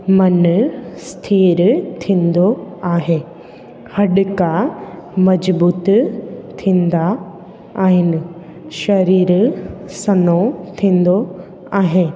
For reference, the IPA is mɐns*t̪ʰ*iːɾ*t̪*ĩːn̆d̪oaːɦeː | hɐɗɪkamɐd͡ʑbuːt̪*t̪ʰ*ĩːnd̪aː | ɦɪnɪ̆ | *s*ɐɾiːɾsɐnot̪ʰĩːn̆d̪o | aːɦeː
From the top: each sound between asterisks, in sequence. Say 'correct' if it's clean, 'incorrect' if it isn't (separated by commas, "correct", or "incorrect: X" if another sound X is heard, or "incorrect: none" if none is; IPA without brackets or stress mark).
correct, incorrect: t̪ʰ, correct, incorrect: ʃ